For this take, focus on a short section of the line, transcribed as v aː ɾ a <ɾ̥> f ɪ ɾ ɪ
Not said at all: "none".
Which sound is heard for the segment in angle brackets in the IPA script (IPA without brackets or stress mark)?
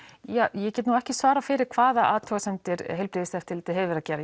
none